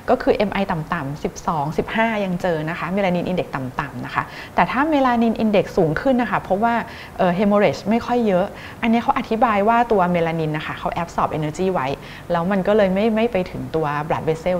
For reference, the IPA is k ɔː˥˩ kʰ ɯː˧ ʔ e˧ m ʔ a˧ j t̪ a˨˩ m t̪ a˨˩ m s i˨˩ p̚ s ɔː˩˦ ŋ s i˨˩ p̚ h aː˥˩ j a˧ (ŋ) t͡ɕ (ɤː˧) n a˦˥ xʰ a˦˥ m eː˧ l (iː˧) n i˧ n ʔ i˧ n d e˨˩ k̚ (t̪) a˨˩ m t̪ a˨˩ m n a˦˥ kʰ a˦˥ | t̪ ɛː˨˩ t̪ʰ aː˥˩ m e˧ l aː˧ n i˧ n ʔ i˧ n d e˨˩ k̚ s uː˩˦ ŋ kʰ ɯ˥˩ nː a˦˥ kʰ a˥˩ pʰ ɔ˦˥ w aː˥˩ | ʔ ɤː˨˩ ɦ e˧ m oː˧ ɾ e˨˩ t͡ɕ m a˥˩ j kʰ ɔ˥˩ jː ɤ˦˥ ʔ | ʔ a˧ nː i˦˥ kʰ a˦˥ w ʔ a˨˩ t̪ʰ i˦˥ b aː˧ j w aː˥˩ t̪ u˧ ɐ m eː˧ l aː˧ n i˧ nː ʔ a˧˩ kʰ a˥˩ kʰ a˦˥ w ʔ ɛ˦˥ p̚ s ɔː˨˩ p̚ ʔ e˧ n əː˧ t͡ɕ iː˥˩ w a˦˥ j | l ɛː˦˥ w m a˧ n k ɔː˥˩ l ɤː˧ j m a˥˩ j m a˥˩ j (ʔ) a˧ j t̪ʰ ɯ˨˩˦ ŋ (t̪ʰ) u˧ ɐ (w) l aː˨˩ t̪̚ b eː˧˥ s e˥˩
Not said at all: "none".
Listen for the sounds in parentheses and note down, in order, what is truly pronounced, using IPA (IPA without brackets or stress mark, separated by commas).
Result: ŋ, ɤː˧, aː˧, t̪, p, t̪, b